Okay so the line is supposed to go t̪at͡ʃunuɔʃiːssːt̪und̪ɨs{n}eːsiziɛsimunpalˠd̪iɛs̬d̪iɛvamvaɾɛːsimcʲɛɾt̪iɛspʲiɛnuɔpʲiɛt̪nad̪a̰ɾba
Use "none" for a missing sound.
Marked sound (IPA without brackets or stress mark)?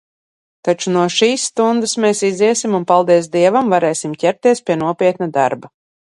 m